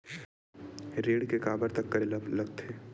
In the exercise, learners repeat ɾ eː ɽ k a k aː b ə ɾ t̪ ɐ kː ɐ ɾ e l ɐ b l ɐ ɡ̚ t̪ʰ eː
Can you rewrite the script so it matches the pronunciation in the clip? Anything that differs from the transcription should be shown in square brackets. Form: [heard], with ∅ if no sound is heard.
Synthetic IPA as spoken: ɾ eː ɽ k [e] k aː b ə ɾ t̪ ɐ kː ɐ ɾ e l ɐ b l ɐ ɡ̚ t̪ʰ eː